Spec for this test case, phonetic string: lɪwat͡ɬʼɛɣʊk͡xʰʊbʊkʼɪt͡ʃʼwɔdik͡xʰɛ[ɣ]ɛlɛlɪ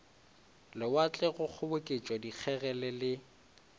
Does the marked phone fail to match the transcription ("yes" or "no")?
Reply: no